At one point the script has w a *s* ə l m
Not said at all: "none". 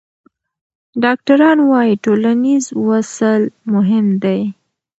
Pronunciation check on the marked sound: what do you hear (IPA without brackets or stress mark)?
s